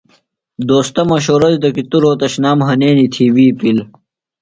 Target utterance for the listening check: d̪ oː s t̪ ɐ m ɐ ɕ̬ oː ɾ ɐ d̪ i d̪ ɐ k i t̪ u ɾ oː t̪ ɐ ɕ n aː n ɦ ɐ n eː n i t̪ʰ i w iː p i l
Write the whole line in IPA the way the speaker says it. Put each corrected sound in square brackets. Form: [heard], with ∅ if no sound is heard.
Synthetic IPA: d̪ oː s t̪ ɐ m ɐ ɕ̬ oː ɾ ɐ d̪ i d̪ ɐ k i t̪ u ɾ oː t̪ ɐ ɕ n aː [m] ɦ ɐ n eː n i t̪ʰ i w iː p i l

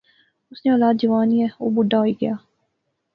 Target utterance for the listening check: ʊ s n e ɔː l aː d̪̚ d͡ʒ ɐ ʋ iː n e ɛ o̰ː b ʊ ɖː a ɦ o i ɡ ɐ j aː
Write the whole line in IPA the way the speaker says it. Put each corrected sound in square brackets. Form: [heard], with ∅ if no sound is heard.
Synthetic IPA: ʊ s n e ɔː l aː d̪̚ d͡ʒ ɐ ʋ [aː] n [i] ɛ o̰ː b ʊ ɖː a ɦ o i ɡ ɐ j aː

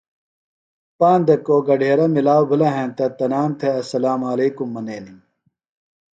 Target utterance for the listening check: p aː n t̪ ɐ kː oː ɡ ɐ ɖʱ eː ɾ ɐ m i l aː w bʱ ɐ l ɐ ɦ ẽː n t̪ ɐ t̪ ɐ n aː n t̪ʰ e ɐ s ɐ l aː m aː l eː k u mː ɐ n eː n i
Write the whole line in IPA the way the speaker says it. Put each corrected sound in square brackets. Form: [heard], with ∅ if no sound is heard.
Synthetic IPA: p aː n [d̪] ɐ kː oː ɡ ɐ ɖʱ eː ɾ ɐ m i l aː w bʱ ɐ l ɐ ɦ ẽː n t̪ ɐ t̪ ɐ n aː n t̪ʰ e ɐ s ɐ l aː m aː l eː k u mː ɐ n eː n i

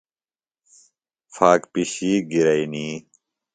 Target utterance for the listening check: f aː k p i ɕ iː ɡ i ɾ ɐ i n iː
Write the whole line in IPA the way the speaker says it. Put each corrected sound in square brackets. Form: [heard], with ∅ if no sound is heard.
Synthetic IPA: f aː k p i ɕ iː ɡ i ɾ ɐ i n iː

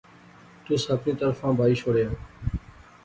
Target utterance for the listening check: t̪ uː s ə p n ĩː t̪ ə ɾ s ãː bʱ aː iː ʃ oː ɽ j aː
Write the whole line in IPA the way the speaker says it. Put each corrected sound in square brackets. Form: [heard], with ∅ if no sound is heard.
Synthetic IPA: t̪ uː s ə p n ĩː t̪ ə ɾ [f] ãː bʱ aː iː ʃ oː ɽ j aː

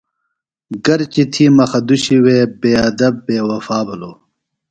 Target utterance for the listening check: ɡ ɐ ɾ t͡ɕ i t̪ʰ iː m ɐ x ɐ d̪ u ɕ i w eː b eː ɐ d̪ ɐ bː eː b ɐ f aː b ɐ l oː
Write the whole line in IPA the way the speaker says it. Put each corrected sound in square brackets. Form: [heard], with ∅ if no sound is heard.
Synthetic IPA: ɡ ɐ ɾ t͡ɕ i t̪ʰ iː m ɐ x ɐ d̪ u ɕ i w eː b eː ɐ d̪ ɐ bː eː [w] ɐ f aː b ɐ l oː

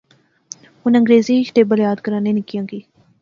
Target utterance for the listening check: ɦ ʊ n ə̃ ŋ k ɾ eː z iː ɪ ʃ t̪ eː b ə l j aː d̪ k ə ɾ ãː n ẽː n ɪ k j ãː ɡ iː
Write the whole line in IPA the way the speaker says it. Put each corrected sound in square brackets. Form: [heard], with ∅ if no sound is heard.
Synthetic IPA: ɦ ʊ n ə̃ ŋ [ɡ] ɾ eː z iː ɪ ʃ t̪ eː b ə l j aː d̪ k ə ɾ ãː n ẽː n ɪ k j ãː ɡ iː

